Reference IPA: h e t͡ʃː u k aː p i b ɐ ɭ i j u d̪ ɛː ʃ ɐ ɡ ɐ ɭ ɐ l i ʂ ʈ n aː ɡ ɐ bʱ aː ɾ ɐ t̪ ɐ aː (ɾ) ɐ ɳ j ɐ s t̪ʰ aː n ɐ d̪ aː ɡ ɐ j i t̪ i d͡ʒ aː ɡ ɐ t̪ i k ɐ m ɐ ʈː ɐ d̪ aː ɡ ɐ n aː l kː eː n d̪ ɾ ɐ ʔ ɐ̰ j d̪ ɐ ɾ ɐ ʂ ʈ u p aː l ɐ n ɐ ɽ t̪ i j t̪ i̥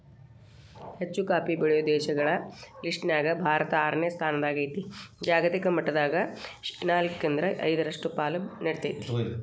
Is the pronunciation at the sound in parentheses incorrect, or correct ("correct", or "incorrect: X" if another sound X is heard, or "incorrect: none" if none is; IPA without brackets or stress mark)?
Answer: correct